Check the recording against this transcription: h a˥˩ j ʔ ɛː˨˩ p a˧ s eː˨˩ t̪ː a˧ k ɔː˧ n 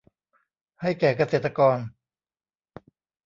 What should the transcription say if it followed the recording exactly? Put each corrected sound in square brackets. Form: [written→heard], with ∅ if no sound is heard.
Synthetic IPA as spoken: h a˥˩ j [ʔ→k] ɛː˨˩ [p→k] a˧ s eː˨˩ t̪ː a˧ k ɔː˧ n